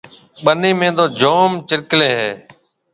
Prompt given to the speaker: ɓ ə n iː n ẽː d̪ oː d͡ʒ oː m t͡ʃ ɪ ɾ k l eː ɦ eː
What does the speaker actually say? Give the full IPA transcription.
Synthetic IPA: ɓ ə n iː m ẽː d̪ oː d͡ʒ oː m t͡ʃ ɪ ɾ k l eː ɦ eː